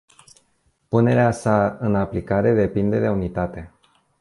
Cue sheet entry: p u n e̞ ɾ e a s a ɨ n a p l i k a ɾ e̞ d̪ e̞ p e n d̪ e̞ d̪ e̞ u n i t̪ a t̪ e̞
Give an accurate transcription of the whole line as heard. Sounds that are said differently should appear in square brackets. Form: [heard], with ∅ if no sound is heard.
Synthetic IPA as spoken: p u n e̞ ɾ e a s a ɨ n a p l i k a ɾ e̞ d̪ e̞ p [i] n d̪ e̞ d̪ e̞ u n i t̪ a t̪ e̞